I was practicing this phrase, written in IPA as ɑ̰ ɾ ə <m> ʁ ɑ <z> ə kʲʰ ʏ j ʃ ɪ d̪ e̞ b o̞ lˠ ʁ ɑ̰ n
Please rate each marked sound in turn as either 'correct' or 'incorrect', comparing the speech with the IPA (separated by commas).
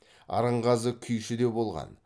incorrect, correct